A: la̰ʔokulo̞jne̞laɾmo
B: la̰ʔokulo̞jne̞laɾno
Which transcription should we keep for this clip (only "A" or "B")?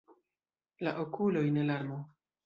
A